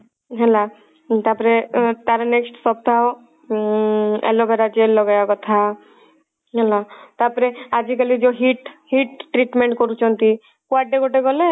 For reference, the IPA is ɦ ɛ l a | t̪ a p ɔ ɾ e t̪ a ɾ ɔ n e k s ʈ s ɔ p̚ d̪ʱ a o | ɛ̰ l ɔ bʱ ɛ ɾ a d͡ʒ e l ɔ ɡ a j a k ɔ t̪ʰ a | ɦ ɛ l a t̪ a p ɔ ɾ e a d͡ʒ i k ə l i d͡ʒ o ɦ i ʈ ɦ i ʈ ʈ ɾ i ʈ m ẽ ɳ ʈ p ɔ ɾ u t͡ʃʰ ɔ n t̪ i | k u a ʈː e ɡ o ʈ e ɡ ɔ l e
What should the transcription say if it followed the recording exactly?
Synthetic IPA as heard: ɦ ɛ l a | t̪ a p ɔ ɾ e t̪ a ɾ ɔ n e k s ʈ s ɔ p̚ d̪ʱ a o | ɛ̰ l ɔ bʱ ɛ ɾ a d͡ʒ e l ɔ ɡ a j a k ɔ t̪ʰ a | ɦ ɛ l a t̪ a p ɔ ɾ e a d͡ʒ i k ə l i d͡ʒ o ɦ i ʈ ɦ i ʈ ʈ ɾ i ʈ m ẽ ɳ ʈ k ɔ ɾ u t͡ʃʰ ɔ n t̪ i | k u a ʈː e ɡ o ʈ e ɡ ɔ l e

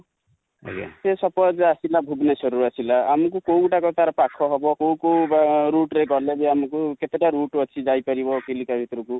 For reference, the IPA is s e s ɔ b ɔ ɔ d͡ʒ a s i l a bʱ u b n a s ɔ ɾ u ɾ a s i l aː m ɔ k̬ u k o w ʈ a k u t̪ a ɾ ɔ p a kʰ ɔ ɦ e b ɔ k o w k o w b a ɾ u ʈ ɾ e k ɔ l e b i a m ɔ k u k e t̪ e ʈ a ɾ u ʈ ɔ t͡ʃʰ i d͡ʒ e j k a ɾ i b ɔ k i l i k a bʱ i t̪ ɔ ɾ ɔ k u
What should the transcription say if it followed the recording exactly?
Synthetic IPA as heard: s e s ɔ p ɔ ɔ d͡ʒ a s i l a bʱ u b n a s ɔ ɾ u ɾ a s i l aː m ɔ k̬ u k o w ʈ a k ɔ t̪ a ɾ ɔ p a kʰ ɔ ɦ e b ɔ k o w k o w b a ɾ u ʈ ɾ e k ɔ l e b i a m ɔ k u k e t̪ e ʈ a ɾ u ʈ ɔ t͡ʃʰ i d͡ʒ a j p a ɾ i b ɔ k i l i k a bʱ i t̪ ɔ ɾ ɔ k u

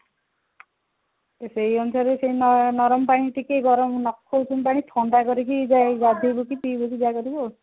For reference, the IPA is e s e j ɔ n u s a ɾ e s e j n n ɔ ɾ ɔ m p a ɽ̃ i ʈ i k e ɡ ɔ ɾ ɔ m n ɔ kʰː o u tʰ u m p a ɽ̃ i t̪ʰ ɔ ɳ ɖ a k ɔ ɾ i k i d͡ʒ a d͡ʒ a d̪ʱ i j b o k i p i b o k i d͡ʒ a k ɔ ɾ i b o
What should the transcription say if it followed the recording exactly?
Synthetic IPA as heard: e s e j ɔ n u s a ɾ e s e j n n ɔ ɾ ɔ m p a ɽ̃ i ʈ i k e ɡ ɔ ɾ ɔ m n ɔ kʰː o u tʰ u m p a ɽ̃ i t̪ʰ ɔ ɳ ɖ a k ɔ ɾ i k i d͡ʒ a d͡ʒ a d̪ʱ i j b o k i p i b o k i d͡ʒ a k ɔ ɾ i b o

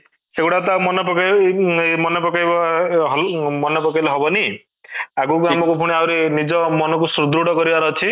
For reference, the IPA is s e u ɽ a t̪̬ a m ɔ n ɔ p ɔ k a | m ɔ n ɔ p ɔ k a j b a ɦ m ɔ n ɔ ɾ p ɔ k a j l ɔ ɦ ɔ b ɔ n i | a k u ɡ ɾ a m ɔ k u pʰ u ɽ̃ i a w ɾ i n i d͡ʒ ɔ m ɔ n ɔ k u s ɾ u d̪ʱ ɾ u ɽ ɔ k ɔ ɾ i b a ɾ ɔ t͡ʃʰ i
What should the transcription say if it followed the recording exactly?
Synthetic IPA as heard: s e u ɽ a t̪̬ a m ɔ n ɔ p ɔ k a | m ɔ n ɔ p ɔ k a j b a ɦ m ɔ n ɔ p ɔ k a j l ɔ ɦ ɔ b ɔ n i | a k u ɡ ɾ a m ɔ k u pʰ u ɽ̃ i a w ɾ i n i d͡ʒ ɔ m ɔ n ɔ k u s ɾ u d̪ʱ ɾ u ɽ ɔ k ɔ ɾ i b a ɾ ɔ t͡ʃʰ i

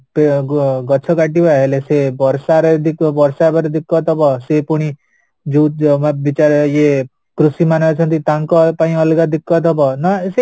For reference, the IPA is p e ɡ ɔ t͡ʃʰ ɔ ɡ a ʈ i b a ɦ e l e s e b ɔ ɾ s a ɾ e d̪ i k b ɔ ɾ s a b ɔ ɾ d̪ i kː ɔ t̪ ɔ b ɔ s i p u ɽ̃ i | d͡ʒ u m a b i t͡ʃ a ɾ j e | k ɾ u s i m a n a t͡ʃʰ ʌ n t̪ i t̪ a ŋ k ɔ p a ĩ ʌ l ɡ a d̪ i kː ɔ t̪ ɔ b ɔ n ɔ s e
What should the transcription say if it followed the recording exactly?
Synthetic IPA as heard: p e ɡ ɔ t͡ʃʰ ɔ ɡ a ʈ i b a ɦ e l e s e b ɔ ɾ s a ɾ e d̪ i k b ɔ ɾ s a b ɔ ɾ d̪ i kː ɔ t̪ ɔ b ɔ s e p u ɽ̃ i | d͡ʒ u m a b i t͡ʃ a ɾ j e | k ɾ u s i m a n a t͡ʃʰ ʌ n t̪ i t̪ a ŋ k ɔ p a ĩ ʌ l ɡ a d̪ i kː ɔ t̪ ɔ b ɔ n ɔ s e

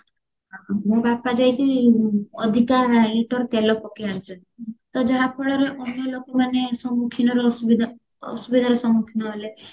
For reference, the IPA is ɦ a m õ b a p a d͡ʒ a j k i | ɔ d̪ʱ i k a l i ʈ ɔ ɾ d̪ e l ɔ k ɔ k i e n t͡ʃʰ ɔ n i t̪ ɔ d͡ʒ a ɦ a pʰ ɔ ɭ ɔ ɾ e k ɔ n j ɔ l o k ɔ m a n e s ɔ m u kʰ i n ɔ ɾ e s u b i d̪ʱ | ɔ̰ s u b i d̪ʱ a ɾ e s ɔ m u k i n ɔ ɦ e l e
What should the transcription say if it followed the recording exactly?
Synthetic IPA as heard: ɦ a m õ b a p a d͡ʒ a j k i | ɔ d̪ʱ i k a l i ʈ ɔ ɾ t̪ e l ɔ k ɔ k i a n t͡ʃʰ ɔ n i t̪ ɔ d͡ʒ a ɦ a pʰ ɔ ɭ ɔ ɾ e ʔ ɔ n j ɔ l o k ɔ m a n e s ɔ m u kʰ i n ɔ ɾ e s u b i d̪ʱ | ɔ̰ s u b i d̪ʱ a ɾ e s ɔ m u kʰ i n ɔ ɦ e l e

